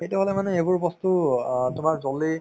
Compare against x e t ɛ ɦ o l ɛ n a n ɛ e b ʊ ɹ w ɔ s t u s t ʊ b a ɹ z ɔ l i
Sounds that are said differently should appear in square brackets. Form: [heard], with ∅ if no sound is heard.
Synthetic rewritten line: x e t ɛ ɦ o l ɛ [m] a n ɛ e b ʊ ɹ [b] ɔ s t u [∅] t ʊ [m] a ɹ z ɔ l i